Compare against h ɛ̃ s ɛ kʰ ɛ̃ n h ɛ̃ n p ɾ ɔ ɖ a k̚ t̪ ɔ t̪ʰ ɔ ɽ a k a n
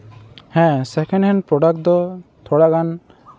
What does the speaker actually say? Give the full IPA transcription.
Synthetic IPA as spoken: h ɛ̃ s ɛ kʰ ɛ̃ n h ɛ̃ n p ɾ ɔ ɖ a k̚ d̪ ɔ t̪ʰ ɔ ɽ a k a n